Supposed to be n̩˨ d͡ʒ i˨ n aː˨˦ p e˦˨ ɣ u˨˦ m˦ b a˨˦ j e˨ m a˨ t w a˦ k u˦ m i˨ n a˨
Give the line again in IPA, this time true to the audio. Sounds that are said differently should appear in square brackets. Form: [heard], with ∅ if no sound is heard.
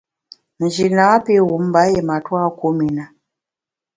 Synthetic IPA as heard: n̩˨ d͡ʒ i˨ n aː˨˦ p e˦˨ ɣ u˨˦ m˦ b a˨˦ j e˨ m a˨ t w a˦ k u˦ m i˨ n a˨